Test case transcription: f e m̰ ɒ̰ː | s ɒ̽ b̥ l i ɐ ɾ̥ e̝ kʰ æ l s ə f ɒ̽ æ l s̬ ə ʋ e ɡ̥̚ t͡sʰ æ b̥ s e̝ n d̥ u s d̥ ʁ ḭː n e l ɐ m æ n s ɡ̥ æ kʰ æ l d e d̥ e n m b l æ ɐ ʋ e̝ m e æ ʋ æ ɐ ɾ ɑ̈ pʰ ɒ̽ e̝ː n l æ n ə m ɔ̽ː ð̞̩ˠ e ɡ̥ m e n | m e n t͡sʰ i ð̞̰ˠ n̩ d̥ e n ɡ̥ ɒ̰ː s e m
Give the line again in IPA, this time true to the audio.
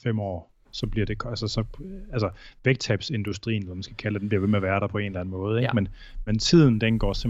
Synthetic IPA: f e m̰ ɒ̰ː | s ɒ̽ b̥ l i ɐ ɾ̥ e̝ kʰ æ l s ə s ɒ̽ æ l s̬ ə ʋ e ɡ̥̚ t͡sʰ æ b̥ s e̝ n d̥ u s d̥ ʁ ḭː n e l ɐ m æ n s ɡ̥ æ kʰ æ l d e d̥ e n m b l i ɐ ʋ e̝ m e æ ʋ æ ɐ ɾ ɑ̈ pʰ ɒ̽ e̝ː n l æ n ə m ɔ̽ː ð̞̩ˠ e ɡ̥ m e n | m e n t͡sʰ i ð̞̰ˠ n̩ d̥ e n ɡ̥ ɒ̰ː s e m